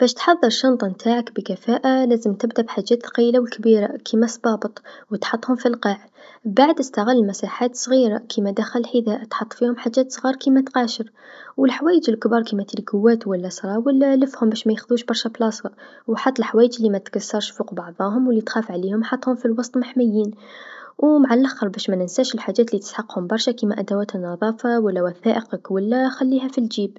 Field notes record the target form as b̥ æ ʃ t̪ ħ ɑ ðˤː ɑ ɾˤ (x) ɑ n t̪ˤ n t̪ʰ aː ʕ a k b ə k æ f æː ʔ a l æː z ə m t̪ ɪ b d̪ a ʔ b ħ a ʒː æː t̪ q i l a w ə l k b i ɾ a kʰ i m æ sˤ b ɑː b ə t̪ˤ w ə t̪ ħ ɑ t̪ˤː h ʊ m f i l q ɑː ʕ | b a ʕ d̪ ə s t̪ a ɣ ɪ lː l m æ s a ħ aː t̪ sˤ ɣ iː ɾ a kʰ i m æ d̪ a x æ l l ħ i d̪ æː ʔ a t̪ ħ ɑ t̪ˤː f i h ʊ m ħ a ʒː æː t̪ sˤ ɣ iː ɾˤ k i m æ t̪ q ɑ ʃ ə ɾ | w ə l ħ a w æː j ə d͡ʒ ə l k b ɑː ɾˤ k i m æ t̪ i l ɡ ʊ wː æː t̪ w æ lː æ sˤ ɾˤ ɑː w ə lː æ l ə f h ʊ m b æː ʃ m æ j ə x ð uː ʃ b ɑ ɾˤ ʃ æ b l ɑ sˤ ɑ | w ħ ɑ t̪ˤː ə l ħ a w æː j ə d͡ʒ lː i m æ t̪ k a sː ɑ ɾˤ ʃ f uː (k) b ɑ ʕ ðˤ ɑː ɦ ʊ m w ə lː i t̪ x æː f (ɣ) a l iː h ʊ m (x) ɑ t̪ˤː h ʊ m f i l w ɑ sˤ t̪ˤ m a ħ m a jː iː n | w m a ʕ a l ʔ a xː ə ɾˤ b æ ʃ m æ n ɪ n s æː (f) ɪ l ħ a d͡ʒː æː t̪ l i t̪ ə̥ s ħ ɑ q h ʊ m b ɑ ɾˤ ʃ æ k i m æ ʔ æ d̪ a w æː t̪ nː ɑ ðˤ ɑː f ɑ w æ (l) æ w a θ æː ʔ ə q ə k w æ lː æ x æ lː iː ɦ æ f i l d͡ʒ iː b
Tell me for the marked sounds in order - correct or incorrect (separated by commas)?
incorrect, incorrect, incorrect, incorrect, incorrect, incorrect